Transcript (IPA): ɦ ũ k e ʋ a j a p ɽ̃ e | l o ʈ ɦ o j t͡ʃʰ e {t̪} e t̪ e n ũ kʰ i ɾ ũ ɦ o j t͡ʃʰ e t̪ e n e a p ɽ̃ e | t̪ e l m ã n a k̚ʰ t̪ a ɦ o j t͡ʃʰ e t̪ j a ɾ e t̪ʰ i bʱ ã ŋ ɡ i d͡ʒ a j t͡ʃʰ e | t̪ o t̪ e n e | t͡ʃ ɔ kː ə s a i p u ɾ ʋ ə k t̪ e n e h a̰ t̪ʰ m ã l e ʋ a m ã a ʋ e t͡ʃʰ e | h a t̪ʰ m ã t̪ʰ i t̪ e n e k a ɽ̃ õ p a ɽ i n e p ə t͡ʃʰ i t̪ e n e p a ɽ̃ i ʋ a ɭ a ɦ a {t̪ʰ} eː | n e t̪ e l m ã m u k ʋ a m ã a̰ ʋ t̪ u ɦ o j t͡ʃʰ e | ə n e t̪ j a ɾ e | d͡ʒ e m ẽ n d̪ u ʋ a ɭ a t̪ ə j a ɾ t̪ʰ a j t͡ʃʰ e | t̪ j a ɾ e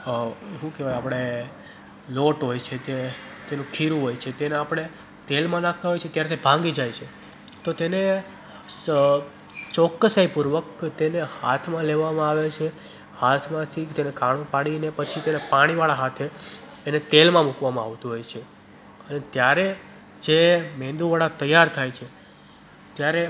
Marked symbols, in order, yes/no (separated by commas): yes, yes